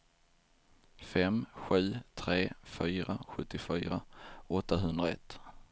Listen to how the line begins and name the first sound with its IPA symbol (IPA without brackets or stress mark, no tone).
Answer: f